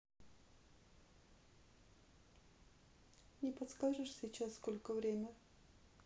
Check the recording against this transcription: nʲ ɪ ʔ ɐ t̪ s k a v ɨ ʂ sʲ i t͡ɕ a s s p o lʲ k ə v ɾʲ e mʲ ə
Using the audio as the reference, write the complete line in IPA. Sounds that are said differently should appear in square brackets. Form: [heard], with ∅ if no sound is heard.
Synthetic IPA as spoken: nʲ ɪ [p] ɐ t̪ s k a [ʐ] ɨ ʂ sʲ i t͡ɕ a s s [k] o lʲ k ə v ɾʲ e mʲ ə